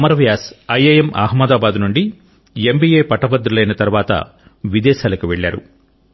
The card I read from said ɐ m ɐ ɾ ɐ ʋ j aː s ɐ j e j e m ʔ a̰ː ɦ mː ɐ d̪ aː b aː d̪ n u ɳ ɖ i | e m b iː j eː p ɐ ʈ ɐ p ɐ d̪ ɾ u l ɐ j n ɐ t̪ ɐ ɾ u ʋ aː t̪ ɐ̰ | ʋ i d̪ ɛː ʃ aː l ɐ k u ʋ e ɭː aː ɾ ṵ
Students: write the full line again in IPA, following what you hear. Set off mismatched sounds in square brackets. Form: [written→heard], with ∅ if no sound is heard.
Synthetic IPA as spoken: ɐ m ɐ ɾ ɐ ʋ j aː s ɐ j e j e m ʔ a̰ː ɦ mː ɐ d̪ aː b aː d̪ n u ɳ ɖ i | e m b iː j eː p ɐ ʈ ɐ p ɐ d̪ ɾ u l ɐ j n ɐ t̪ ɐ ɾ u ʋ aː t̪ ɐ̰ | ʋ i d̪ ɛː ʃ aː l ɐ k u ʋ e ɭː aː ɾ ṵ